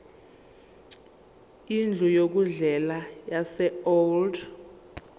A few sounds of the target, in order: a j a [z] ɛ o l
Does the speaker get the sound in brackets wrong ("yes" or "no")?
yes